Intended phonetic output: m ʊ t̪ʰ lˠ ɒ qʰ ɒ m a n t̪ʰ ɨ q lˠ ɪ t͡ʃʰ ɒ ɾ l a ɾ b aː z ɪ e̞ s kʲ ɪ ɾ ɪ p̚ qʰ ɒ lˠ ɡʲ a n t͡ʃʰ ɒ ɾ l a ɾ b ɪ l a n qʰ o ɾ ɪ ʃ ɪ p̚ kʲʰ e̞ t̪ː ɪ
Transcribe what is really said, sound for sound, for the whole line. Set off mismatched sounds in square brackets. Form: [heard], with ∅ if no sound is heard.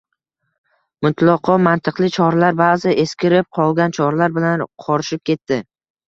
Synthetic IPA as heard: m ʊ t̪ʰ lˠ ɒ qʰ ɒ m a n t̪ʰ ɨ q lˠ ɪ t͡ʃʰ ɒ ɾ l a ɾ b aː z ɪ e̞ s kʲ ɪ ɾ ɪ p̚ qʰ ɒ lˠ ɡʲ a n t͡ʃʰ ɒ ɾ l a ɾ b ɪ l a n qʰ [ɒ] ɾ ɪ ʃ ɪ p̚ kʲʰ e̞ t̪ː ɪ